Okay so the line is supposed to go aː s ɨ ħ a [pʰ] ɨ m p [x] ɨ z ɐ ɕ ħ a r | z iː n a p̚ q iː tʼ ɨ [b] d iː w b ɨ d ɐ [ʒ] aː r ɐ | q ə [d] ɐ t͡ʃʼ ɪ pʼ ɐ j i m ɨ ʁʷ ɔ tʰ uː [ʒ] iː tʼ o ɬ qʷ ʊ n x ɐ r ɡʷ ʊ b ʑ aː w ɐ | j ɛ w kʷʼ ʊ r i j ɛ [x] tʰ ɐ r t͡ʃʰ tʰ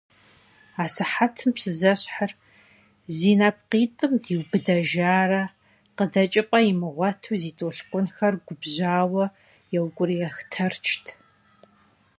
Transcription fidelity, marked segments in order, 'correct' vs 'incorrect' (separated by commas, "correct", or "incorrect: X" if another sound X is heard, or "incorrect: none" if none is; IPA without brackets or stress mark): incorrect: tʰ, incorrect: s, incorrect: m, correct, correct, incorrect: z, correct